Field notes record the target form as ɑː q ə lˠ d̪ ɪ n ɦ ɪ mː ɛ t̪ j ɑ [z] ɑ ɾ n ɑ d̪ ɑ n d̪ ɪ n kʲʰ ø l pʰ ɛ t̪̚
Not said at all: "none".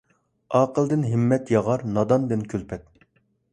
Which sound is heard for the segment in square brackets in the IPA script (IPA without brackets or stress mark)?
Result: ʁ